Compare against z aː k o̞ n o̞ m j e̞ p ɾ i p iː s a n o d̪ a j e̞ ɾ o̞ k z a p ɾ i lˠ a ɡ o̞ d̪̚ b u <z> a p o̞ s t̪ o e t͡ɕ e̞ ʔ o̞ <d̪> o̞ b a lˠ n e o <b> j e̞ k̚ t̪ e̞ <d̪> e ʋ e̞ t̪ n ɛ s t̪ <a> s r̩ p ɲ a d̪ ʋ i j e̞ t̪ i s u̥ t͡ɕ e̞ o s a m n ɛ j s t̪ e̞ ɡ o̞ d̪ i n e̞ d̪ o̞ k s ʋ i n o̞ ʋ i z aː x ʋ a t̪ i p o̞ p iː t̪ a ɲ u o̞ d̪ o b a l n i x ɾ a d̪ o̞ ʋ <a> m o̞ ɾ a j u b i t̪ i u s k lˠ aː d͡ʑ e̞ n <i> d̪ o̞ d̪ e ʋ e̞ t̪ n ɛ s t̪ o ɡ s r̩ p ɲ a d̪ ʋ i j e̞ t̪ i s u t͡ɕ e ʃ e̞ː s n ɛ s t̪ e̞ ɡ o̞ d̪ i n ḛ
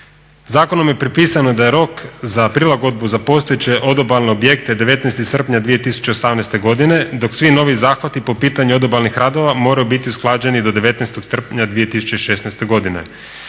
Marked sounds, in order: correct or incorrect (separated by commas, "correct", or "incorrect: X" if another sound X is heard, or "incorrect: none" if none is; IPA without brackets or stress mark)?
correct, correct, correct, correct, incorrect: i, correct, correct